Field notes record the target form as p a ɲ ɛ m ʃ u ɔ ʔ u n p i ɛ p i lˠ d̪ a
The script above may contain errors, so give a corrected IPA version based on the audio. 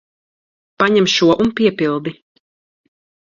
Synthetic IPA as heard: p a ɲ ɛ m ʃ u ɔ ʔ u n p i ɛ p i lˠ d̪ i